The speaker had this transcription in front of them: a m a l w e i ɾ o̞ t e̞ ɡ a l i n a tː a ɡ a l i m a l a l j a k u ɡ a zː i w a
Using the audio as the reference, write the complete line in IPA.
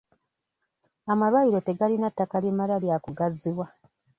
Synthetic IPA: a m a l w a i ɾ o̞ t e̞ ɡ a l i n a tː a k a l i m a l a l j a k u ɡ a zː i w a